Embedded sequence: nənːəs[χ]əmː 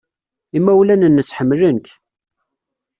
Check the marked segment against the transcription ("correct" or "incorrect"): incorrect